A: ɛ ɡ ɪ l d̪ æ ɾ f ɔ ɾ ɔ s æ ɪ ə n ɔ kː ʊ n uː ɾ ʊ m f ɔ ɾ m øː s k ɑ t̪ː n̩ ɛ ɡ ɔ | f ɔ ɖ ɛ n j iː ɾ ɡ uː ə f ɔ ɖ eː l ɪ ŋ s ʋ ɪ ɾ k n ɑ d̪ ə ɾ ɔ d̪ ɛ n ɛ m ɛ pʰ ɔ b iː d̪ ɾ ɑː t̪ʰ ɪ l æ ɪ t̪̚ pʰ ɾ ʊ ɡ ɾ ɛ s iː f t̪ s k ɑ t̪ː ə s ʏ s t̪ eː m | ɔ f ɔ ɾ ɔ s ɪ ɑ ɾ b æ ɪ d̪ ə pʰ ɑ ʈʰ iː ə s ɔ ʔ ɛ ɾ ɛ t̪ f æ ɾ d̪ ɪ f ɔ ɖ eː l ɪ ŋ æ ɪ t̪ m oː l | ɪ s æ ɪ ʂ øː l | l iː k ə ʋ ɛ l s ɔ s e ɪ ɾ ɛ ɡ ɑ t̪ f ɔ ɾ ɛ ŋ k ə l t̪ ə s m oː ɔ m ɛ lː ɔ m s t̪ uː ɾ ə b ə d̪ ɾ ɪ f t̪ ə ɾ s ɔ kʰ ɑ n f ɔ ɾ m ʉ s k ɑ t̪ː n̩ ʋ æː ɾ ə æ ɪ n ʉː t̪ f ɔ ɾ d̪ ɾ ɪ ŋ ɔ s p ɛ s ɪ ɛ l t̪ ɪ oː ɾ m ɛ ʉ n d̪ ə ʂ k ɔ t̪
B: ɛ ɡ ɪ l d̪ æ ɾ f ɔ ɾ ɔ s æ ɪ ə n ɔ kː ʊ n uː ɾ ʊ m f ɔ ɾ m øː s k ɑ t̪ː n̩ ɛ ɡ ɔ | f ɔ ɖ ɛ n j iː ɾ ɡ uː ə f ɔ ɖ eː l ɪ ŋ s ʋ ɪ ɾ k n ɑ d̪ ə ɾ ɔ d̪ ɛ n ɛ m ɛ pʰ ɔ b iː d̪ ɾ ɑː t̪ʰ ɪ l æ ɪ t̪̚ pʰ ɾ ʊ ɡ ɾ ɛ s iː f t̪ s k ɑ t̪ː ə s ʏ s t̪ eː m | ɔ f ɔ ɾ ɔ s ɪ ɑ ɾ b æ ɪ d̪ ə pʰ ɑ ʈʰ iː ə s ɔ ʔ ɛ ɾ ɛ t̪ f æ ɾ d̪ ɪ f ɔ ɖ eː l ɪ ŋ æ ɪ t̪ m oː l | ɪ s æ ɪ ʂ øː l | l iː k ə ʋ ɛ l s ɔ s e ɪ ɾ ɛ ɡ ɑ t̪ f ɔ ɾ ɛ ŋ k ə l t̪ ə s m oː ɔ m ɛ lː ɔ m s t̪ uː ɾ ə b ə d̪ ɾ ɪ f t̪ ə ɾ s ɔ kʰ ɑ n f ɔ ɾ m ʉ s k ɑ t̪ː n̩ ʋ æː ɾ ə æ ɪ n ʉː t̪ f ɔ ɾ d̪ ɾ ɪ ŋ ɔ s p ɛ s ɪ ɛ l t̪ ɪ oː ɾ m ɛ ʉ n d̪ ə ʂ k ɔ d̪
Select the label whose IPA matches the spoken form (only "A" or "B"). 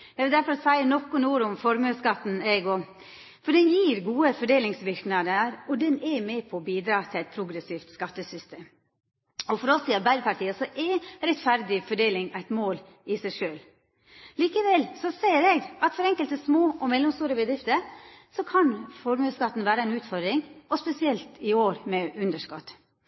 A